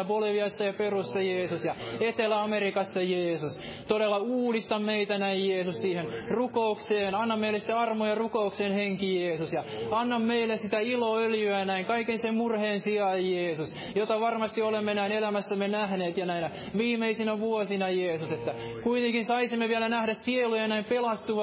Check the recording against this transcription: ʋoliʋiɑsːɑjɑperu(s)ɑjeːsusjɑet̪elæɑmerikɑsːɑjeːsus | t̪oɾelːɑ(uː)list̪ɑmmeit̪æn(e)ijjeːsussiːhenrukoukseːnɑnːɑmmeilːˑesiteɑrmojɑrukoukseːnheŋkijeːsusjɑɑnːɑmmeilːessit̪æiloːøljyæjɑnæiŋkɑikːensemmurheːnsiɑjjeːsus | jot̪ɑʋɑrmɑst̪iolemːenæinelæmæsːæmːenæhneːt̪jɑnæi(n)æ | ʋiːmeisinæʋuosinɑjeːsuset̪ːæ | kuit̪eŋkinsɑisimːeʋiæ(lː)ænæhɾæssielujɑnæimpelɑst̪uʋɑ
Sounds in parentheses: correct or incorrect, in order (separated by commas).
incorrect, correct, incorrect, correct, incorrect